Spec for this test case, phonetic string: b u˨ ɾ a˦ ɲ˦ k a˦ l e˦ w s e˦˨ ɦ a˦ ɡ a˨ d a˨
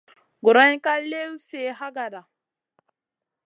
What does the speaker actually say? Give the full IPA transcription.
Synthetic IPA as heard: ɡ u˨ ɾ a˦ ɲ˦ k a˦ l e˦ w s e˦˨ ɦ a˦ ɡ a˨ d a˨